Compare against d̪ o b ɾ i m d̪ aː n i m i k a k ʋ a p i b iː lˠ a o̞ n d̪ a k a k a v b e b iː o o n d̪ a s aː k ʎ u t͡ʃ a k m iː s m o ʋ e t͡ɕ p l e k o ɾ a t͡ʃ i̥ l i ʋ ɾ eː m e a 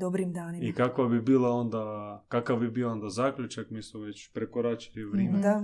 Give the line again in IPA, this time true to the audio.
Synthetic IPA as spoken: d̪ o b ɾ i m d̪ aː n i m i k a k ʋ a b i b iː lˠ a o̞ n d̪ a k a k a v b i b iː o o n d̪ a z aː k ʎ u t͡ʃ a k m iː s m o ʋ e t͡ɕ p ɾ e k o ɾ a t͡ʃ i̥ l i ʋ ɾ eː m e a